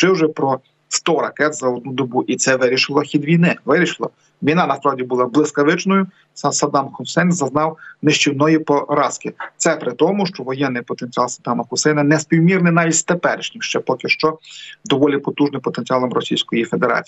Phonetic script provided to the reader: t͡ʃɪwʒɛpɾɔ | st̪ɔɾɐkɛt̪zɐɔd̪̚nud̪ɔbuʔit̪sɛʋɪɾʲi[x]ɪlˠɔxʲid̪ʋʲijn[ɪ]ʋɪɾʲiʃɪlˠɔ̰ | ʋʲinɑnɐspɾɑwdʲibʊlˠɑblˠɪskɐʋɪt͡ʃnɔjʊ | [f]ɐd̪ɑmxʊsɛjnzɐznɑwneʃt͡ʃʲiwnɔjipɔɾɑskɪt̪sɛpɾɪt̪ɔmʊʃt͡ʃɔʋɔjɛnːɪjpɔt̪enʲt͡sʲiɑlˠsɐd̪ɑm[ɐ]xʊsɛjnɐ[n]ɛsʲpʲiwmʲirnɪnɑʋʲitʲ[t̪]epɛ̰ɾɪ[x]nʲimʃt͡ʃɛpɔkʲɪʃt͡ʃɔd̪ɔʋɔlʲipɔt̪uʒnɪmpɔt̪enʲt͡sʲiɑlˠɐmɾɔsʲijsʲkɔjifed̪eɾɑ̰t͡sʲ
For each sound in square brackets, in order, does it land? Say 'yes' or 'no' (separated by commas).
no, yes, no, yes, yes, yes, no